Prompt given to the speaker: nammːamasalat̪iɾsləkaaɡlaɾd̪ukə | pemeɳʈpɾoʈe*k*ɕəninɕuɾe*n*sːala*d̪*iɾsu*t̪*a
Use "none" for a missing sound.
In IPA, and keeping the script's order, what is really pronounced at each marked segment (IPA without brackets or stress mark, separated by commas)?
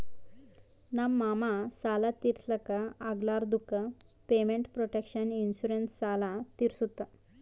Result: k, n, t̪, t̪